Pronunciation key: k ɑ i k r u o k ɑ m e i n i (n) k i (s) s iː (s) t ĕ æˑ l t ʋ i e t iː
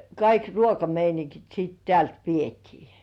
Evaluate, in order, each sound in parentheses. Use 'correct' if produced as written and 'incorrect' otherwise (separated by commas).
incorrect, incorrect, incorrect